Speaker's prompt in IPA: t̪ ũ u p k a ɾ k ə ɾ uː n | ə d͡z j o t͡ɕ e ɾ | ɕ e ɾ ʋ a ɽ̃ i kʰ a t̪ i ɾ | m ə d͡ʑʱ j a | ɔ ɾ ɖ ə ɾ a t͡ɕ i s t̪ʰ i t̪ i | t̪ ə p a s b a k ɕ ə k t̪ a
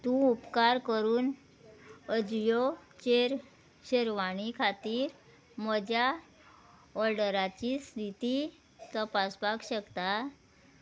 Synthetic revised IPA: t̪ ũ u p k a ɾ k ə ɾ uː n | ə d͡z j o t͡ɕ e ɾ | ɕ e ɾ ʋ a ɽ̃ i kʰ a t̪ iː ɾ | m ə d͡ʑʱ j a | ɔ ɾ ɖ ə ɾ a t͡ɕ i s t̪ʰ i t̪ i | t̪ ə p a s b a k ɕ ə k t̪ a

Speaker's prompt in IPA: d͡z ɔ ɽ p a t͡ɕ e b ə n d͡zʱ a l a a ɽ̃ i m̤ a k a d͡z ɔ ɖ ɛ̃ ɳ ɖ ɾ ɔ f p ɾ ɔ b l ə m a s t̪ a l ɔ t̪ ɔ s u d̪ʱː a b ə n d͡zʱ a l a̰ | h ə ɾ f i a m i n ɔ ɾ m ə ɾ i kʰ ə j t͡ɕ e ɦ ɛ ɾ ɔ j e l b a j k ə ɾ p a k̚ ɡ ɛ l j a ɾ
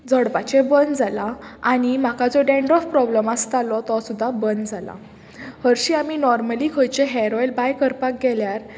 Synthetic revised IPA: d͡z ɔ ɽ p a t͡ɕ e b ə n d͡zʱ a l a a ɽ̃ i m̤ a k a d͡z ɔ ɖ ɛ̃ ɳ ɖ ɾ ɔ f p ɾ ɔ b l ə m a s t̪ a l ɔ t̪ ɔ s u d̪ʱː a b ə n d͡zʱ a l a̰ | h ə ɾ ɕ i a m i n ɔ ɾ m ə l i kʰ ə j t͡ɕ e ɦ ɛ ɾ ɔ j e l b a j k ə ɾ p a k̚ ɡ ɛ l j a ɾ

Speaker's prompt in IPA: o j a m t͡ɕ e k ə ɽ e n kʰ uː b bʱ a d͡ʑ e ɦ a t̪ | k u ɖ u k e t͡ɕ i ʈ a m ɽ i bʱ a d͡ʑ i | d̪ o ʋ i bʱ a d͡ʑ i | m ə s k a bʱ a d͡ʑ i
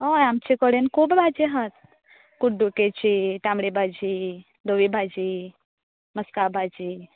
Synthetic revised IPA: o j a m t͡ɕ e k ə ɽ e n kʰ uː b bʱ a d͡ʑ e ɦ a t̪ | k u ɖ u k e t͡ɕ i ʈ a m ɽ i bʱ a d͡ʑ i | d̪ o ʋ i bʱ a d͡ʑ i | m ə s k a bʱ a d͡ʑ i

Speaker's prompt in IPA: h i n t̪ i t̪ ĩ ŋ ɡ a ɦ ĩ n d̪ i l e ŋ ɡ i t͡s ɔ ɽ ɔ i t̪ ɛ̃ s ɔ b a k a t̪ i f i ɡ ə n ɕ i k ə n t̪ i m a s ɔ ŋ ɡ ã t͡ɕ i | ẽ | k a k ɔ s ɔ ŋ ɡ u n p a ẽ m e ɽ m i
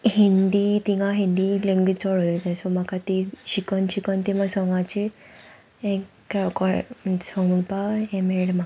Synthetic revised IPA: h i n d̪ i t̪ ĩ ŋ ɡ a ɦ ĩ n d̪ i l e ŋ ɡ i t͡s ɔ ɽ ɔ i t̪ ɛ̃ s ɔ m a k a t̪ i ɕ i k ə n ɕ i k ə n t̪ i m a s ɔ ŋ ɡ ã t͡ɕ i | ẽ | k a k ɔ s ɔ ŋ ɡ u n p a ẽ m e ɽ m a

